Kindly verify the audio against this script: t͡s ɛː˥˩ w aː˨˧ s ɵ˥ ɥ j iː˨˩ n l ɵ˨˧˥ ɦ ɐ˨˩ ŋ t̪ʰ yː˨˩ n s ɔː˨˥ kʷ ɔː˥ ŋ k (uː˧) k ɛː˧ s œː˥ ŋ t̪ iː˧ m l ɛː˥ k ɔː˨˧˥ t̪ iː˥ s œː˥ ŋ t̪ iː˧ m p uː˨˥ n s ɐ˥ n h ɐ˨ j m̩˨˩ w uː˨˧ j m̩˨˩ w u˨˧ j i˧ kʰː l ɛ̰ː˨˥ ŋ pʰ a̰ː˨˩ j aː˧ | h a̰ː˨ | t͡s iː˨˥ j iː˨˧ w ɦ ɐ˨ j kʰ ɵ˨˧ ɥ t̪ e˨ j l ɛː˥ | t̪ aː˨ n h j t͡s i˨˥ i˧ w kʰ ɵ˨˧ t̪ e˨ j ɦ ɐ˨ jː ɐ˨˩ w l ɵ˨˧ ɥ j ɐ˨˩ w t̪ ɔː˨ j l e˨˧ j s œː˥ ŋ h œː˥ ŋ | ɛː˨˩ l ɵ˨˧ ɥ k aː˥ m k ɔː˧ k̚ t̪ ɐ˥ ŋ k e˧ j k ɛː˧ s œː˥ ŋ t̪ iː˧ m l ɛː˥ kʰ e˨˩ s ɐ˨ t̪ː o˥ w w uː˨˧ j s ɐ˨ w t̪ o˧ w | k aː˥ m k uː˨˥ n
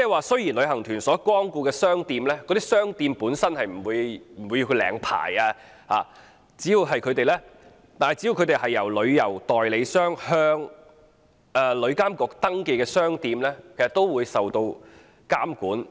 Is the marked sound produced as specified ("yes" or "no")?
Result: yes